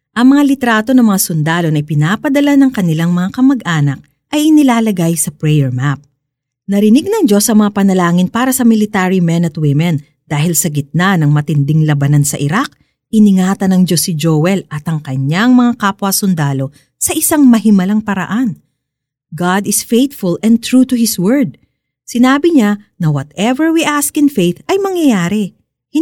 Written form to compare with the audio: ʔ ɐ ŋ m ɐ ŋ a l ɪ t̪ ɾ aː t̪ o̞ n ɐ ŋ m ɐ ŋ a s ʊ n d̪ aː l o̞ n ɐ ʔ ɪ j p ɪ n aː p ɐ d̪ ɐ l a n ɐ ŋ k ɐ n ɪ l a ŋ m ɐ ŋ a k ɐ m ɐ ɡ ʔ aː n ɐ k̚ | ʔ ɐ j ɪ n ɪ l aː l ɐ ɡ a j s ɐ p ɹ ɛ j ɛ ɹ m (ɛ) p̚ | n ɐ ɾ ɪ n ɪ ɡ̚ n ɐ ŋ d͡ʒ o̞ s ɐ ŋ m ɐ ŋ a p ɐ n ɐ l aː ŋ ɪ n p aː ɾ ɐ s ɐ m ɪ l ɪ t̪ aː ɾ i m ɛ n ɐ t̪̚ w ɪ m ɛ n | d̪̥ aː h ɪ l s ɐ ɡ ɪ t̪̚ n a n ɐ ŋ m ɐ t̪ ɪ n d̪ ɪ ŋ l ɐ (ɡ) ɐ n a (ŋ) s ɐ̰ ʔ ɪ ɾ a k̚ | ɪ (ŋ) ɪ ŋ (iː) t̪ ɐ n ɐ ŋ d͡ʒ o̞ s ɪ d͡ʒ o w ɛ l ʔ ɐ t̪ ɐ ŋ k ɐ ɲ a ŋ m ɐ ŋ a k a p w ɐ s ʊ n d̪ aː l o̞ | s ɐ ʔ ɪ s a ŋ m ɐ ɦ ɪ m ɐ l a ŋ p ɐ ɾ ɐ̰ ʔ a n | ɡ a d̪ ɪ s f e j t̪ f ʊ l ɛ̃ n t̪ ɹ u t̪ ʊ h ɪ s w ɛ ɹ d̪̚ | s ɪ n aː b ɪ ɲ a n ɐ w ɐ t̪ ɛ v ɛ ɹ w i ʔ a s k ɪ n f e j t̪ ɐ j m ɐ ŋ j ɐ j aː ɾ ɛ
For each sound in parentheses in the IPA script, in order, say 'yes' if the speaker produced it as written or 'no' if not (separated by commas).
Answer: no, no, no, no, no